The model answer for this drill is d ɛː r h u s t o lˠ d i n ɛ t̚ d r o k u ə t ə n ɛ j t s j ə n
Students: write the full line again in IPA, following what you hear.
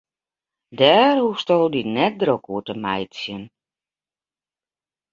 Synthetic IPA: d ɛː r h u s t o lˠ d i n ɛ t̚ d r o k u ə t ə m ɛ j t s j ə n